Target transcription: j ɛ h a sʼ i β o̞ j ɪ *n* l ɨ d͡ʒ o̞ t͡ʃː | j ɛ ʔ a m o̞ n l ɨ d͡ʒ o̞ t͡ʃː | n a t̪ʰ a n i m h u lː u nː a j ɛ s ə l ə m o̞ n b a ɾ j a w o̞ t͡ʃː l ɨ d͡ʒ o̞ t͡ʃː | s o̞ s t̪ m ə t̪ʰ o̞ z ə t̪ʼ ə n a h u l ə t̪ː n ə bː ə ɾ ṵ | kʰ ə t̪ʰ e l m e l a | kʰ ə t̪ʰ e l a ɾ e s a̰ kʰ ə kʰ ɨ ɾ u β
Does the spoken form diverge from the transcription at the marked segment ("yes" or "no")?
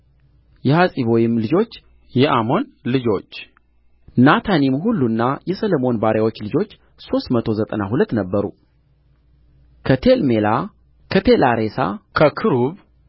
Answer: yes